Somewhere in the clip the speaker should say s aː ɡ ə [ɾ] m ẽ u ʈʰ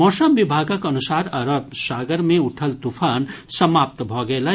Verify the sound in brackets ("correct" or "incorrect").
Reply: correct